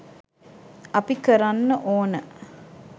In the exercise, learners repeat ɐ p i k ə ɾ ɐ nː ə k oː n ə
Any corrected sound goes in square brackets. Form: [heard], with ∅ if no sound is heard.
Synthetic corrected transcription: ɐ p i k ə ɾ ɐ nː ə [ʔ] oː n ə

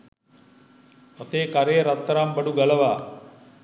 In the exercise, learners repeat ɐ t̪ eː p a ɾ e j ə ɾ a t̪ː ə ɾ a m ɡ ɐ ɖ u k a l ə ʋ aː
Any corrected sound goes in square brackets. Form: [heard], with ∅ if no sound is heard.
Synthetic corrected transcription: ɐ t̪ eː [k] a ɾ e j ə ɾ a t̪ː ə ɾ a m [b] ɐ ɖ u [ɡ] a l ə ʋ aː

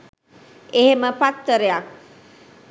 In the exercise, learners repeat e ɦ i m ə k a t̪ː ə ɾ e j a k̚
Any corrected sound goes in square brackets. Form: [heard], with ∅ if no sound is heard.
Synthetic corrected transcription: e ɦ [e] m ə [p] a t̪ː ə ɾ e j a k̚

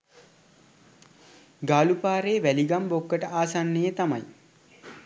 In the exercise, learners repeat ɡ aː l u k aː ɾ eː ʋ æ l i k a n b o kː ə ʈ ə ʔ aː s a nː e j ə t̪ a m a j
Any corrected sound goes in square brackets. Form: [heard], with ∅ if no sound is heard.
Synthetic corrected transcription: ɡ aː l u [p] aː ɾ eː ʋ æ l i [ɡ] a [m] b o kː ə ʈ ə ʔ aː s a nː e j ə t̪ a m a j

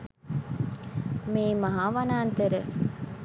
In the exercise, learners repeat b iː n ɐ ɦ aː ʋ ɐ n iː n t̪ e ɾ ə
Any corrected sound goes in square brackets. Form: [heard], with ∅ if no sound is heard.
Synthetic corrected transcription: [m] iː [m] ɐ ɦ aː ʋ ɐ n [aː] n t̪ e ɾ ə

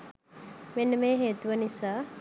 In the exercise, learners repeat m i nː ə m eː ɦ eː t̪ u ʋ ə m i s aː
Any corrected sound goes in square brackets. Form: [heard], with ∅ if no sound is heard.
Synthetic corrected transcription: m [e] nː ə m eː ɦ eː t̪ u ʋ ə [n] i s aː

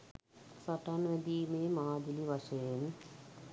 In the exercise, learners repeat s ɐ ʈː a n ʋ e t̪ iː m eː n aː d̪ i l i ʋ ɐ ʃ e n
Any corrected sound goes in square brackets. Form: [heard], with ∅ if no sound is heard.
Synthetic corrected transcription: s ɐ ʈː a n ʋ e [d̪] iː m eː [m] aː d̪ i l i ʋ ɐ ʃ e n

